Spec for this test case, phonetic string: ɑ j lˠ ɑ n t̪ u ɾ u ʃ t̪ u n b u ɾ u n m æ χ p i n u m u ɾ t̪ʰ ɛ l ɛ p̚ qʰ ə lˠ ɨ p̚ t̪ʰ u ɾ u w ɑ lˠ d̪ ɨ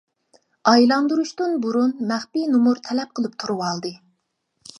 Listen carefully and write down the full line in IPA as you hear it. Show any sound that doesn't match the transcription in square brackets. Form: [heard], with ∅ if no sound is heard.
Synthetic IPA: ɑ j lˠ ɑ n [d̪] u ɾ u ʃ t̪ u n b u ɾ u n m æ χ p i n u m u ɾ t̪ʰ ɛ l ɛ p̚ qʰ ə lˠ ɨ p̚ t̪ʰ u ɾ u w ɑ lˠ d̪ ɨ